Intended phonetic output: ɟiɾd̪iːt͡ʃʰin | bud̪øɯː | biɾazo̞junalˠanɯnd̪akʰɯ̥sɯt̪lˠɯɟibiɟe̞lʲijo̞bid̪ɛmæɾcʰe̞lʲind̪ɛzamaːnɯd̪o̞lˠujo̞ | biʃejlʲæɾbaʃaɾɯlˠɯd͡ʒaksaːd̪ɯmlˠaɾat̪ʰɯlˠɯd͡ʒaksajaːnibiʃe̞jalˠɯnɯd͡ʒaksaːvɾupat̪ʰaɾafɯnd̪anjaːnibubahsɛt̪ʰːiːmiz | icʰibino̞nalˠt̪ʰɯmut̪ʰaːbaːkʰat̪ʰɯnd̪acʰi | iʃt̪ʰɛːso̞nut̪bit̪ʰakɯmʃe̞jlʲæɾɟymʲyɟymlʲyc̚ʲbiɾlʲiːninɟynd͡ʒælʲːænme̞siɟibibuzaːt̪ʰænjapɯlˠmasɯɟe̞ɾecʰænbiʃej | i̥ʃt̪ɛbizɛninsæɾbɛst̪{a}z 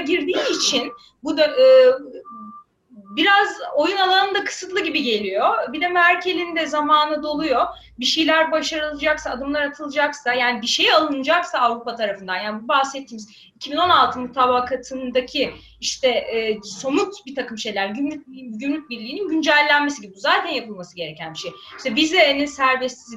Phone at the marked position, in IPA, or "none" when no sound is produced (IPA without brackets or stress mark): i